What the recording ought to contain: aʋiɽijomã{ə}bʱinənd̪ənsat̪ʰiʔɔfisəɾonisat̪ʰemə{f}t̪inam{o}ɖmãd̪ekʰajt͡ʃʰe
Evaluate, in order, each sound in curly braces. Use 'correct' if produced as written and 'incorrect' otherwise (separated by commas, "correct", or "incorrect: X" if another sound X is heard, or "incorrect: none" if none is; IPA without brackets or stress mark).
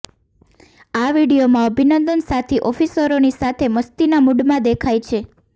correct, incorrect: s, incorrect: u